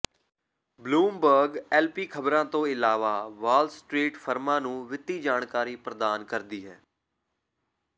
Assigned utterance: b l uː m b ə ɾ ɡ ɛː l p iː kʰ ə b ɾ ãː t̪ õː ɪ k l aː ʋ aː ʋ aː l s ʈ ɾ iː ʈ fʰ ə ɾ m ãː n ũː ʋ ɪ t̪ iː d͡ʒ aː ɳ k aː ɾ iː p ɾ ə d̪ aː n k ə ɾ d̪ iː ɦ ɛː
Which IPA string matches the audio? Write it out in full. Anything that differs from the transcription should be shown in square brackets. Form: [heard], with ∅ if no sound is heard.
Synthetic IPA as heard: b l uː m b ə ɾ ɡ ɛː l p iː kʰ ə b ɾ ãː t̪ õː ɪ [∅] l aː ʋ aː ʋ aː l s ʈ ɾ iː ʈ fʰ ə ɾ m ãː n ũː ʋ ɪ t̪ iː d͡ʒ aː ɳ k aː ɾ iː p ɾ ə d̪ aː n k ə ɾ d̪ iː ɦ ɛː